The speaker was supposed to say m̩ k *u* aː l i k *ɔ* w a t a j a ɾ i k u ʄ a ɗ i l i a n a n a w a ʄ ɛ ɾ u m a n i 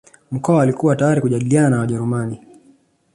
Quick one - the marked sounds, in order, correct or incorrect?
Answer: incorrect: ɔ, incorrect: u

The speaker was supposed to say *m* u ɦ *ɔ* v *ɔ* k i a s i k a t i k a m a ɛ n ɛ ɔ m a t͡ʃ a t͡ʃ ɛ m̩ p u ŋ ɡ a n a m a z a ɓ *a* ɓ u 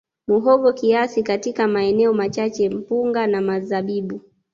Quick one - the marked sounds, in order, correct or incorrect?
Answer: correct, correct, correct, incorrect: i

